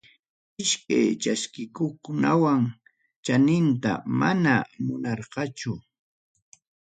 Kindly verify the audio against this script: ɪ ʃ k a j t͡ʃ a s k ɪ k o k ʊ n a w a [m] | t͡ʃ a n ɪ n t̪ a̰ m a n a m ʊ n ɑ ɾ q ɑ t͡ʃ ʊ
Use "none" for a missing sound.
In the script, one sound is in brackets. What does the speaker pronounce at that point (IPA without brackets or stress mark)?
ŋ